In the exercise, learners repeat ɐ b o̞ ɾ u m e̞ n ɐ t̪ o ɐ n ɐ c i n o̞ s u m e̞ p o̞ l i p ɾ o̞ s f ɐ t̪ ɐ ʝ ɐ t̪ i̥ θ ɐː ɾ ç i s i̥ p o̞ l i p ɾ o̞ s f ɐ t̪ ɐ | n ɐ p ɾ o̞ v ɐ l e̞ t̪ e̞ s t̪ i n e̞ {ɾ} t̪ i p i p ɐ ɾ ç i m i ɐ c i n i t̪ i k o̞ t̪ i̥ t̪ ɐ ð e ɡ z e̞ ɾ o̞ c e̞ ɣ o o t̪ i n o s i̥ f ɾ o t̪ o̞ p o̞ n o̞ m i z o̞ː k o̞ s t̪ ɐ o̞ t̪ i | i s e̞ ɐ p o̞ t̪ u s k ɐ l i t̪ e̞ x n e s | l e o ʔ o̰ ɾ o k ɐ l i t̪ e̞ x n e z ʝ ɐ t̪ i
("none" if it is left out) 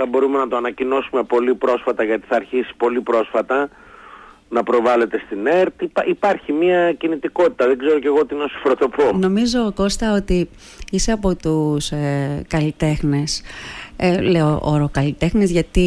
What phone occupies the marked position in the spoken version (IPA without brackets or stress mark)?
ɾ